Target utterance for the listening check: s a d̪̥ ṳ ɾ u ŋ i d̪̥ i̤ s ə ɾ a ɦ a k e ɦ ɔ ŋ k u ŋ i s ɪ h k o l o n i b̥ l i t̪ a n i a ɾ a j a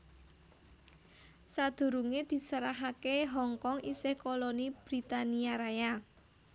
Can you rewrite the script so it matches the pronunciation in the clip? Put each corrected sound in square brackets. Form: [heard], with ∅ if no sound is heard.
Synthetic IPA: s a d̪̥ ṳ ɾ u ŋ [e] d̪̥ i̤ s ə ɾ a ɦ a k e ɦ ɔ ŋ k [ɔ] ŋ i s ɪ h k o l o n i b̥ [ɾ] i t̪ a n i a ɾ a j a